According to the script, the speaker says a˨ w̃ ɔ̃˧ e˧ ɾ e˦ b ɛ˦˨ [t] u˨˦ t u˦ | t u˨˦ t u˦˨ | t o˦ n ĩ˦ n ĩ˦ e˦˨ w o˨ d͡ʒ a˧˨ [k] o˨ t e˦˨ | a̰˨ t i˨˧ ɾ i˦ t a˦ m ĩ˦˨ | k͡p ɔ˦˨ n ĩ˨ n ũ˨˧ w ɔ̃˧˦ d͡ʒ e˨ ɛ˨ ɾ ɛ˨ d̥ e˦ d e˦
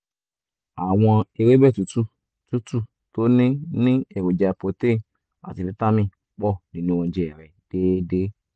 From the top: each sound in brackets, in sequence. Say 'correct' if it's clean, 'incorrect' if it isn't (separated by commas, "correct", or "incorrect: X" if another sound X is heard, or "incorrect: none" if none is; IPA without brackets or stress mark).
correct, incorrect: p